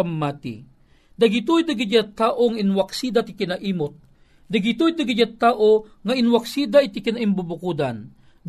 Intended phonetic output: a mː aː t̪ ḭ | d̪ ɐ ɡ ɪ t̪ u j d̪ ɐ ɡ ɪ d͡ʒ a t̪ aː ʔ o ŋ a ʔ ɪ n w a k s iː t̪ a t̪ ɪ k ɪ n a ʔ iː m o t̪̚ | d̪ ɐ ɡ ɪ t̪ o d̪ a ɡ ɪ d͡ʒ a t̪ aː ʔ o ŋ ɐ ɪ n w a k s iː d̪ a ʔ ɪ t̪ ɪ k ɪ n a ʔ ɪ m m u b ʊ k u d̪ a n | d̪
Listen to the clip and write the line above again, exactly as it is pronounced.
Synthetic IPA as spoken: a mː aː t̪ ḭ | d̪ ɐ ɡ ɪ t̪ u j d̪ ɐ ɡ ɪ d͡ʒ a t̪ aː ʔ o ŋ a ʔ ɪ n w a k s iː d̪ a t̪ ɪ k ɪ n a ʔ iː m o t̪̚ | d̪ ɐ ɡ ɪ t̪ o d̪ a ɡ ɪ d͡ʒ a t̪ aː ʔ o ŋ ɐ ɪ n w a k s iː d̪ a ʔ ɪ t̪ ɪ k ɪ n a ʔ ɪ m b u b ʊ k u d̪ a n | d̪